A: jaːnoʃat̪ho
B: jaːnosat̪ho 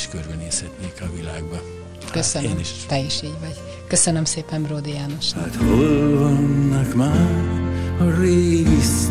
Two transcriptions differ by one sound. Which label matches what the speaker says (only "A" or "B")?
A